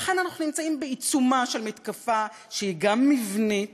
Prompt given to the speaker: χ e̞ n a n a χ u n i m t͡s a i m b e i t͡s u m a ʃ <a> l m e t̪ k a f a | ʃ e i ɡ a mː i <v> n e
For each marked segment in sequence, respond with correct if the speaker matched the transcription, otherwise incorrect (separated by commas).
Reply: incorrect, correct